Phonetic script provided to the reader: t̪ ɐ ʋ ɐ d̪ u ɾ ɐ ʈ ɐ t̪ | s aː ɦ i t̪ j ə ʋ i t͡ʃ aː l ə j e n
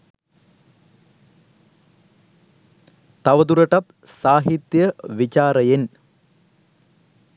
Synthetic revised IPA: t̪ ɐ ʋ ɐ d̪ u ɾ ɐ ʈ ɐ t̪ | s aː ɦ i t̪ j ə ʋ i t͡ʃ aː ɾ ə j e n

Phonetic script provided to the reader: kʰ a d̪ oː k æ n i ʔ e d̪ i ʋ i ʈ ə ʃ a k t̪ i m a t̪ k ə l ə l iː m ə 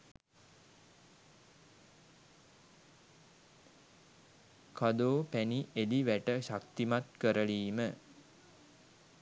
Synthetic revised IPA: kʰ a d̪ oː p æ n i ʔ e d̪ i ʋ æ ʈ ə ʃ a k t̪ i m a t̪ k ə ɾ ə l iː m ə

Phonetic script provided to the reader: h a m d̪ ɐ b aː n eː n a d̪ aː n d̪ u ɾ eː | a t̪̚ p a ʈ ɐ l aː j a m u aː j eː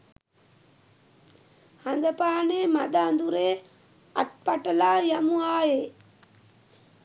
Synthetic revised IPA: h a n d̪ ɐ p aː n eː m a d̪ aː n d̪ u ɾ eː | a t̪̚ p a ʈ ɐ l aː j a m u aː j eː

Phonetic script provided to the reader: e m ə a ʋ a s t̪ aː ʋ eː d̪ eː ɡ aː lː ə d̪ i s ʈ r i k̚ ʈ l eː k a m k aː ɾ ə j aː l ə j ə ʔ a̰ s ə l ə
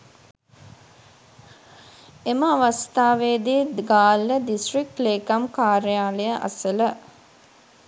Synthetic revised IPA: e m ə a ʋ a s t̪ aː ʋ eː d̪ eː ɡ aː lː ə d̪ i s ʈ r i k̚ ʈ l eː k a m k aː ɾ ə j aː l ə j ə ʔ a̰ s ə l ə

